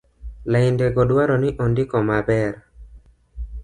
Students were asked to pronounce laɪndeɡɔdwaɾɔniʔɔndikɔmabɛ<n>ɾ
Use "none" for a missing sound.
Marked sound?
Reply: none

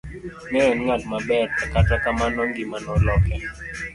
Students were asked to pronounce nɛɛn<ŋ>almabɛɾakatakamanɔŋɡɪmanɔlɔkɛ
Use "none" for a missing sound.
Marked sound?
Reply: ŋ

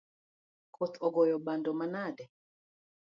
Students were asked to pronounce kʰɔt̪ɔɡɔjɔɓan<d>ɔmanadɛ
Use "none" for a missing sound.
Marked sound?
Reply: d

